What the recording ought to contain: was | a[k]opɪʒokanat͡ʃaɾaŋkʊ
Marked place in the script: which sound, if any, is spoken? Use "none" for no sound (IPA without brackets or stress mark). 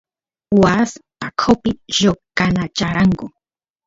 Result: kʰ